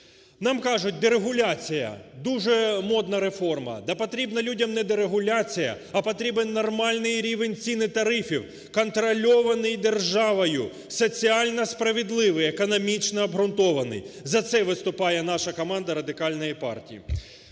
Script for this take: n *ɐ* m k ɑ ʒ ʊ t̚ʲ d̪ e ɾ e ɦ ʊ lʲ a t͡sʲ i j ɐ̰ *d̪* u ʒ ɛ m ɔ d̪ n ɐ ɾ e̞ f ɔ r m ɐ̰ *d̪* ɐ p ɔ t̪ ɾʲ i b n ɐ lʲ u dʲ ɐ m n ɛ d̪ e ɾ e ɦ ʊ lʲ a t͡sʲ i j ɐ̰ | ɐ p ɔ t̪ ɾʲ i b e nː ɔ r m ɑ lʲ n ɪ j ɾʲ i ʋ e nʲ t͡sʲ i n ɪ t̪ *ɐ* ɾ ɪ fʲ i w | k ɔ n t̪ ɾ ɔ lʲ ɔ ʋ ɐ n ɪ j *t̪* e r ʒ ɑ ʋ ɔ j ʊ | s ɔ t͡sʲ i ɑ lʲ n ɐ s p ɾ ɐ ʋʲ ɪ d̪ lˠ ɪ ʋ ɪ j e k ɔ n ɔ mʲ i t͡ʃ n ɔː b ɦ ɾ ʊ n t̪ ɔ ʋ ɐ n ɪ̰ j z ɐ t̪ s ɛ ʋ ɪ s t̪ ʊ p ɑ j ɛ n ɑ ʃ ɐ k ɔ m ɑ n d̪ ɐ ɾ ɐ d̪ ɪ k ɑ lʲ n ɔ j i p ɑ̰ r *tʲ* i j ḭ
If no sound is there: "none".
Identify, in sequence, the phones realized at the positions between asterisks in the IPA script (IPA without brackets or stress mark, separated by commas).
ɑ, d̪, d̪, ɐ, d̪, tʲ